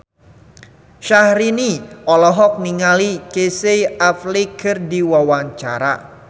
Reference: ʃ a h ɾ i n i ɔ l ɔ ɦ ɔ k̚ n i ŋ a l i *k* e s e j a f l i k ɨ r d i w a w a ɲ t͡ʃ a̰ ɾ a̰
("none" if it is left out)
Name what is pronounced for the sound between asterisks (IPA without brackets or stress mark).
k